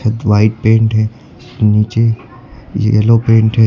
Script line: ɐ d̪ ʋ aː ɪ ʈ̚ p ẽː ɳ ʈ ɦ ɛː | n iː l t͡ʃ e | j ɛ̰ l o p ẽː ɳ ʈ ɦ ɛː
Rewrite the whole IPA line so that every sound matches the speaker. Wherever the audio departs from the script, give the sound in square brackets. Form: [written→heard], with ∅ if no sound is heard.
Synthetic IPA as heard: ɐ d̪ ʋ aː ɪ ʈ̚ p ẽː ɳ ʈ ɦ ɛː | n iː [l→∅] t͡ʃ e | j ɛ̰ l o p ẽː ɳ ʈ ɦ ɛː